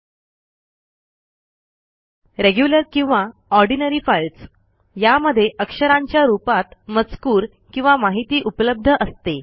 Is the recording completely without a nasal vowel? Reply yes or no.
no